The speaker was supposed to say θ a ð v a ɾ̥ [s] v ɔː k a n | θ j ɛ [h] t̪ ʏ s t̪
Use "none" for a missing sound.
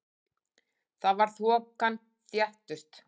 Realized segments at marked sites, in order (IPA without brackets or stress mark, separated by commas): θ, h